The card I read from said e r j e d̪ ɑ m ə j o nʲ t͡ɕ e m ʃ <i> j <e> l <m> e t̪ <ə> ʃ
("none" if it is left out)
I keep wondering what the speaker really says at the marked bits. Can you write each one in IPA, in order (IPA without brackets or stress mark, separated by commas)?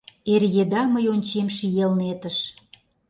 i, e, n, ə